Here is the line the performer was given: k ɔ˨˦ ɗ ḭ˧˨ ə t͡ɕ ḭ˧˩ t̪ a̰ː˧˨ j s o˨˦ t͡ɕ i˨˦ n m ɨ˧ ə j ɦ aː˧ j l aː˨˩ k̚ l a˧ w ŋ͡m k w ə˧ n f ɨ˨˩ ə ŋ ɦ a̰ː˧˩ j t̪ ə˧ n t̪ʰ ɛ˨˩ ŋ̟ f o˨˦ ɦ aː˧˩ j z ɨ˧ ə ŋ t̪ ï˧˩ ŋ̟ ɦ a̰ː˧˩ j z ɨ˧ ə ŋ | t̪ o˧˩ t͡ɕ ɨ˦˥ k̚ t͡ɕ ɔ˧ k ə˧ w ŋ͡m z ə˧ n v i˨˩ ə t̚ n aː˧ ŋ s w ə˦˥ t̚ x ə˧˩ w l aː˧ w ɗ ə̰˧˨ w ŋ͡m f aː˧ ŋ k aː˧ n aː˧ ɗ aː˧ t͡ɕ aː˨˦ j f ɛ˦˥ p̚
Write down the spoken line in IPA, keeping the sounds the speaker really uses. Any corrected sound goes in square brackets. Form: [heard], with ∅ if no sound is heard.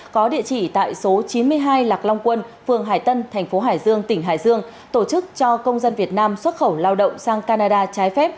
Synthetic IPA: k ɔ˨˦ ɗ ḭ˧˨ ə t͡ɕ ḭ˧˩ t̪ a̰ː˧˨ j s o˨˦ t͡ɕ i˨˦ n m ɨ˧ ə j ɦ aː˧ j l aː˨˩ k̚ l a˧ w ŋ͡m k w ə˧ n f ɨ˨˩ ə ŋ ɦ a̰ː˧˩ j t̪ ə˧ n t̪ʰ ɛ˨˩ ŋ̟ f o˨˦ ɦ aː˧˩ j z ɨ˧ ə ŋ t̪ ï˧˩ ŋ̟ ɦ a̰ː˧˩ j z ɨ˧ ə ŋ | t̪ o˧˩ t͡ɕ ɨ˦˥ k̚ t͡ɕ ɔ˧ k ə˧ w ŋ͡m z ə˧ n v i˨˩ ə t̚ n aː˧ [m] s w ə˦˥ t̚ x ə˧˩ w l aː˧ w ɗ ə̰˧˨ w ŋ͡m [s] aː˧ ŋ k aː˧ n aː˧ ɗ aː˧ t͡ɕ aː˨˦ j f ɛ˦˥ p̚